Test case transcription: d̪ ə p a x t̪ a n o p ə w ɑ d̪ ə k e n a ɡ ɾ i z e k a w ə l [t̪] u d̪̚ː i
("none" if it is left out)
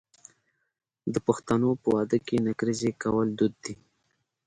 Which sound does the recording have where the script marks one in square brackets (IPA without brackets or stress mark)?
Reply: d̪